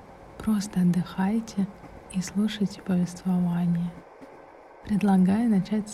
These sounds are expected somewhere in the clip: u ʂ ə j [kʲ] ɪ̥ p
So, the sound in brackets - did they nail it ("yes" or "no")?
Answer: no